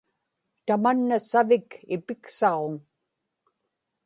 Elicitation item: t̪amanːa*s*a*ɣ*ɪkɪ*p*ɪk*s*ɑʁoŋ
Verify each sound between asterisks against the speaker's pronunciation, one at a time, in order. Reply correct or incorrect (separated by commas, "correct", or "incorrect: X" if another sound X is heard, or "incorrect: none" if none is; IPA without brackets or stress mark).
correct, incorrect: v, correct, correct